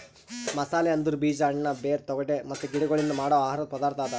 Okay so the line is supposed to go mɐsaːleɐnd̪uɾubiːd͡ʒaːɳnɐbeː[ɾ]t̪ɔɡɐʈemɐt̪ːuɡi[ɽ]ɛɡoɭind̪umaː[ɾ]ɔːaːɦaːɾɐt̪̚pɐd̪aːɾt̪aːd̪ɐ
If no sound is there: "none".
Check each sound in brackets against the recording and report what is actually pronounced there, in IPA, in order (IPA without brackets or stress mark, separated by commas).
ɾ, ɽ, ɽ